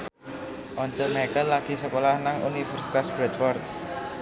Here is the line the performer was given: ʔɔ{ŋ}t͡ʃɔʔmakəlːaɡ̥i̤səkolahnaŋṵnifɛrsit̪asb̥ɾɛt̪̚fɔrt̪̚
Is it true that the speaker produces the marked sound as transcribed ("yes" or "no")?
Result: no